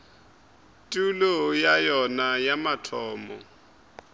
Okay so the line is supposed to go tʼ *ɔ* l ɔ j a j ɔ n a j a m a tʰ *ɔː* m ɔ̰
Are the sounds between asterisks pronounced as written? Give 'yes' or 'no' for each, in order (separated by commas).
no, yes